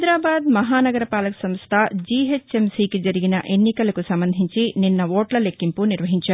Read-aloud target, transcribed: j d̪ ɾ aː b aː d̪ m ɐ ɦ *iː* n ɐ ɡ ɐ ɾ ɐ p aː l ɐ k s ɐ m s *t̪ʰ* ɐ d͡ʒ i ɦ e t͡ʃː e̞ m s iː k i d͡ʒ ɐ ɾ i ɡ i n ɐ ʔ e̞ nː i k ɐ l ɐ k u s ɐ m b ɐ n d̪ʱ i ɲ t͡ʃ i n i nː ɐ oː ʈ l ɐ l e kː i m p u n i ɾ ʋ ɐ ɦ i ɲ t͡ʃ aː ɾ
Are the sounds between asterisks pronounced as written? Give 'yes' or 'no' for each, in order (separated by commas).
no, yes